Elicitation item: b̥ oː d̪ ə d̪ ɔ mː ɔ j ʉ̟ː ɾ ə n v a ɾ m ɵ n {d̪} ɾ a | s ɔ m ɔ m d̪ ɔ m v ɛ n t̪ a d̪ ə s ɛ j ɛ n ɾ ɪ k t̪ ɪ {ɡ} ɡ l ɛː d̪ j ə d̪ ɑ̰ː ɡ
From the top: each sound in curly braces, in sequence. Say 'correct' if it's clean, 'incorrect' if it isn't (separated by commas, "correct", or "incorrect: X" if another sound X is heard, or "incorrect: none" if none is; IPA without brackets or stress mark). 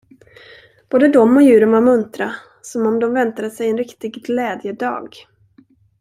incorrect: t̪, correct